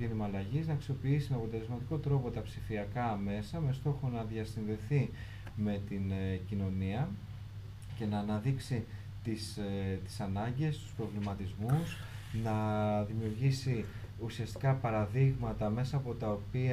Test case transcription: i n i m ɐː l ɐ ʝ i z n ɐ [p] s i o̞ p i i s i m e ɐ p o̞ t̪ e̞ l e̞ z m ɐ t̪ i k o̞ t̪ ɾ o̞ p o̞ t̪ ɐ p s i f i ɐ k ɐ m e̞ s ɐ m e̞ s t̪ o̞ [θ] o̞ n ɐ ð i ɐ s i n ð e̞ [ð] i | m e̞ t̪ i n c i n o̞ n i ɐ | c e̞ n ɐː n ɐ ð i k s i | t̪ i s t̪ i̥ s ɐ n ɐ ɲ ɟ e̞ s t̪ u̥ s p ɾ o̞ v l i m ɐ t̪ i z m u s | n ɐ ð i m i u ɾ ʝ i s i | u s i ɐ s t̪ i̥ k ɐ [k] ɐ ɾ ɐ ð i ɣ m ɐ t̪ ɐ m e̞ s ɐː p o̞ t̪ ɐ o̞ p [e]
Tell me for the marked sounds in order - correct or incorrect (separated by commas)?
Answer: incorrect, incorrect, incorrect, incorrect, incorrect